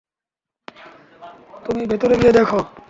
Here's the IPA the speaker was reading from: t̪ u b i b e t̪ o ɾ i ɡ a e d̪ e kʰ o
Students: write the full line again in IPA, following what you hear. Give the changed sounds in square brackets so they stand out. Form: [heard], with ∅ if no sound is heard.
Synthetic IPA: t̪ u [m] i b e t̪ o ɾ [e] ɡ [i] e d̪ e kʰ o

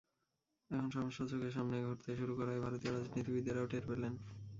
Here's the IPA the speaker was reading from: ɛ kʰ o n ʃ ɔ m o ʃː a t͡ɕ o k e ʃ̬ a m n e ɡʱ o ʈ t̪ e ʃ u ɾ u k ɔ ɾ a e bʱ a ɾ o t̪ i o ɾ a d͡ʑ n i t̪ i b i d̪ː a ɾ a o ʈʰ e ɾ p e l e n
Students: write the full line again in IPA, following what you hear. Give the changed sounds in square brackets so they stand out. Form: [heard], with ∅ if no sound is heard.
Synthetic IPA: ɛ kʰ o n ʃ ɔ m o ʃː a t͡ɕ o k e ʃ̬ a m n e ɡʱ o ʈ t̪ e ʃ u ɾ u k ɔ ɾ a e bʱ a ɾ o t̪ i o ɾ a d͡ʑ n i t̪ i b i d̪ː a ɾ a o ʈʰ e ɾ p e l e n

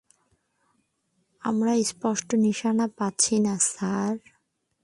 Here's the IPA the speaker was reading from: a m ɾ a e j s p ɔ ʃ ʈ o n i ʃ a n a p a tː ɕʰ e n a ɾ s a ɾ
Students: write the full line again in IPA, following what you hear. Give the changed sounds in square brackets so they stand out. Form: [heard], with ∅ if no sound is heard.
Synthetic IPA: a m ɾ a e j s p ɔ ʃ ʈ o n i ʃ a n a p a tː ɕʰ [i] n a [∅] s a ɾ

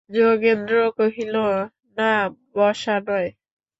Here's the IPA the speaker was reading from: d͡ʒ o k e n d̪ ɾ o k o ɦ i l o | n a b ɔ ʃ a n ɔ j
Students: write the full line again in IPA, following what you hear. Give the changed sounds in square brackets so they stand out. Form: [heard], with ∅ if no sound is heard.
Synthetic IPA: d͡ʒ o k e n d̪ ɾ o k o ɦ i l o | n a b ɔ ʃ a n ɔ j

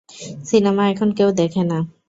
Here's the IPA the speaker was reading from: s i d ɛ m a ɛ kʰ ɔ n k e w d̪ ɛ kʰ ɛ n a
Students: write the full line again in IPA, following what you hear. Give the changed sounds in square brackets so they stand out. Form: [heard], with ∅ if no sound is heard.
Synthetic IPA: s i [n] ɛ m a ɛ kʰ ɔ n k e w d̪ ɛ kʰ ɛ n a

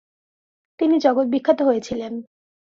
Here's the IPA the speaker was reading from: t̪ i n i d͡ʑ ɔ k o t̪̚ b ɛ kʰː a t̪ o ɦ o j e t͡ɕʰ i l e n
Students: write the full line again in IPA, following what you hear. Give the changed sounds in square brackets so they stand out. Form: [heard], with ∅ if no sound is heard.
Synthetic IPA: t̪ i n i d͡ʑ ɔ [ɡ] o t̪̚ b [i] kʰː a t̪ o ɦ o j e t͡ɕʰ i l e n

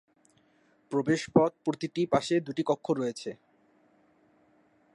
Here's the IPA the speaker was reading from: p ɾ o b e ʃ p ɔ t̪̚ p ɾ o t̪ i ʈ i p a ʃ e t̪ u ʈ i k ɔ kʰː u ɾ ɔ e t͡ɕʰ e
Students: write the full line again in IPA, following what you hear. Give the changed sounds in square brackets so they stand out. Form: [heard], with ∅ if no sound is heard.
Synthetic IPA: p ɾ o b e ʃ p ɔ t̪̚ p ɾ o t̪ i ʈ i p a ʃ e [d̪] u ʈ i k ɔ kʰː [o] ɾ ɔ e t͡ɕʰ e

